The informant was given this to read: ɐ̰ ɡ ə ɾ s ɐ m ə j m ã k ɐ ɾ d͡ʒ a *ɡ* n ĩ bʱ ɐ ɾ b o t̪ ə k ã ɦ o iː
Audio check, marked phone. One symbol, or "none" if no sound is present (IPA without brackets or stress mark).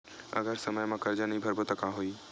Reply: none